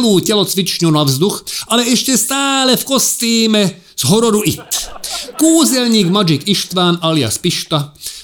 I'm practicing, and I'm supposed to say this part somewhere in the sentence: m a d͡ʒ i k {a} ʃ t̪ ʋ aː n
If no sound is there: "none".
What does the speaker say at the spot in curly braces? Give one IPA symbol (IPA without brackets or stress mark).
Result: i